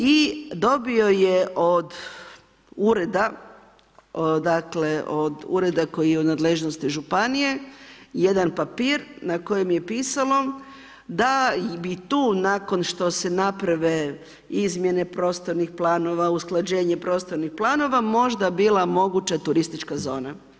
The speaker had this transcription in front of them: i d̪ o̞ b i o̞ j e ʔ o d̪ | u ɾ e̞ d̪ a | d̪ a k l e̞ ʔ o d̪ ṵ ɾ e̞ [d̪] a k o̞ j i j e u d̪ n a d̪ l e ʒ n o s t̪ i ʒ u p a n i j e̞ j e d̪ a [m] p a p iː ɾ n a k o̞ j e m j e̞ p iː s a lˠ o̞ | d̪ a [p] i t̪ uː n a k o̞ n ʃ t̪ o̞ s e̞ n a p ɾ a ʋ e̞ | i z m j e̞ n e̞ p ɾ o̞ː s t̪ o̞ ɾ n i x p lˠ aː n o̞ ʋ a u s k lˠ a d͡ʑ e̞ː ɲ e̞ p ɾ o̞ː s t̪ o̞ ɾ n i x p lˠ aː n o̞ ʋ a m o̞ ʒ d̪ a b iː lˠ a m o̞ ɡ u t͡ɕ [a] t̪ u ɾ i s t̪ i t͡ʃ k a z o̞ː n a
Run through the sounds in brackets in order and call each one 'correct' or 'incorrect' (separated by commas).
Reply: correct, incorrect, incorrect, correct